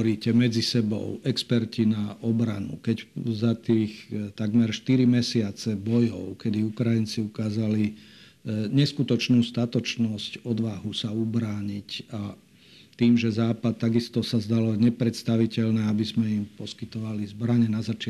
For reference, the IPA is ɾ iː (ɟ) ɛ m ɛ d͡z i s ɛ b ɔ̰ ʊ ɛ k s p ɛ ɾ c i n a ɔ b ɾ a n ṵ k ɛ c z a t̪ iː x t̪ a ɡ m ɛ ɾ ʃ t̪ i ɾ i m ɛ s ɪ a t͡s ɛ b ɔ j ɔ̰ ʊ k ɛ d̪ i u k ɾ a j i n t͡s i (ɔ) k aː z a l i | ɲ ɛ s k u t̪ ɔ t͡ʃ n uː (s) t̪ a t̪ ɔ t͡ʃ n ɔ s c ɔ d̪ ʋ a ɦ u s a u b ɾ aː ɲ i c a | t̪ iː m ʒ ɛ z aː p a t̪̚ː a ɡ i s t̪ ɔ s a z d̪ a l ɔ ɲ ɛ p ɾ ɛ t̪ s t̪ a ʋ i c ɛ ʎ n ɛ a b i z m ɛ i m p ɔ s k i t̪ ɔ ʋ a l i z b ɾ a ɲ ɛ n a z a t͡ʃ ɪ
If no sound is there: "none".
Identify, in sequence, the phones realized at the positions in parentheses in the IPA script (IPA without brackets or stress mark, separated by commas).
c, u, s